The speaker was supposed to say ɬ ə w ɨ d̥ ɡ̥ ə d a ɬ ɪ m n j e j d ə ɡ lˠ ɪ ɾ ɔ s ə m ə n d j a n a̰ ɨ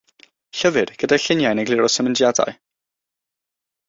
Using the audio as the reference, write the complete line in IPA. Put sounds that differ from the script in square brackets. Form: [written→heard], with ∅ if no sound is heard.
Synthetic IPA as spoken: ɬ ə [w→v] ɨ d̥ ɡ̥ ə d a ɬ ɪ [m→∅] n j [e→a] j [d→n] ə ɡ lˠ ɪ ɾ ɔ s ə m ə n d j a [n→d] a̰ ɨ